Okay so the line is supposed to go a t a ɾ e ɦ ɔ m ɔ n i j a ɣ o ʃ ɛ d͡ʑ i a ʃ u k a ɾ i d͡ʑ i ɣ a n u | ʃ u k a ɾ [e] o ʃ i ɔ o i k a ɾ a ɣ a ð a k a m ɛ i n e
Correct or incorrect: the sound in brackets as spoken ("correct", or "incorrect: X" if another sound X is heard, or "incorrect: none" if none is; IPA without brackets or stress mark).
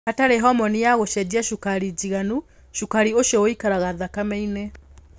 incorrect: i